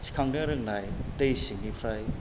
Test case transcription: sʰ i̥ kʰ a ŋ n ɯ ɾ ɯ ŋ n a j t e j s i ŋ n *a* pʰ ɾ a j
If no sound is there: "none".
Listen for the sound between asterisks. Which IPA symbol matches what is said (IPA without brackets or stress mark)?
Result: i